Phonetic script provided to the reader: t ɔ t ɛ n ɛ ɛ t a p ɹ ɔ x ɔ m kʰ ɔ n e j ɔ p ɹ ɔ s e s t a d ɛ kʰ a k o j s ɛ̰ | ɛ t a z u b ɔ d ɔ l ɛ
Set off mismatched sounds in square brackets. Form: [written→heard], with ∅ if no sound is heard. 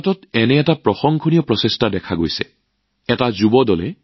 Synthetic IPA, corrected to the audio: t ɔ t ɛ n ɛ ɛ t a p ɹ ɔ x ɔ [m→ŋ] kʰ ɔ n [e→i] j ɔ p ɹ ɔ s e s t a d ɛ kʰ a [k→ɡ] o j s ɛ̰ | ɛ t a z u b ɔ d ɔ l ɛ